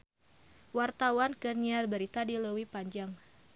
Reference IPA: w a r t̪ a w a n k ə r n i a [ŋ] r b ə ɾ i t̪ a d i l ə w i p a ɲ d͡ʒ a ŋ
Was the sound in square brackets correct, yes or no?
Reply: no